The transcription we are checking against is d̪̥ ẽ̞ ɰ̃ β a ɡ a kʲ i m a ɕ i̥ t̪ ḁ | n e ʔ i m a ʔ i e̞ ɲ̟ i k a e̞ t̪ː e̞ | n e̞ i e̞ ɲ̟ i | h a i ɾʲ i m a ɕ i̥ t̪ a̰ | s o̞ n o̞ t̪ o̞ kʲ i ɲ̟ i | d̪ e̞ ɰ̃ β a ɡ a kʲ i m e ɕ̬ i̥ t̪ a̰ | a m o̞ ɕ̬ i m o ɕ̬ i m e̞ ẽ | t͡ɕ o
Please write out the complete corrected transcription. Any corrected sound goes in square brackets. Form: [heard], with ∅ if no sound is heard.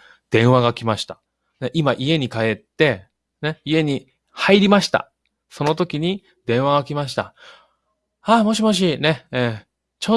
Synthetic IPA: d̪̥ ẽ̞ ɰ̃ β a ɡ a kʲ i m a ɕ i̥ t̪ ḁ | n e ʔ i m a ʔ i e̞ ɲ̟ i k a e̞ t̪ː e̞ | n e̞ i e̞ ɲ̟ i | h a i ɾʲ i m a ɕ i̥ t̪ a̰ | s o̞ n o̞ t̪ o̞ kʲ i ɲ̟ i | d̪ [ẽ̞] ɰ̃ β a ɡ a kʲ i m [a] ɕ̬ i̥ t̪ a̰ | a m o̞ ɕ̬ i m o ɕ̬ i [n] e̞ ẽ | t͡ɕ o